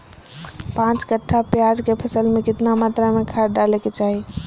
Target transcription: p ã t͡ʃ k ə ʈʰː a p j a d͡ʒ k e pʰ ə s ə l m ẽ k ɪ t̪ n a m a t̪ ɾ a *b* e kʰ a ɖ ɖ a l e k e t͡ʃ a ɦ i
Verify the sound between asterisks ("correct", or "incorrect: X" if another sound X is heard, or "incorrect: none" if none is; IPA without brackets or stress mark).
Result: incorrect: m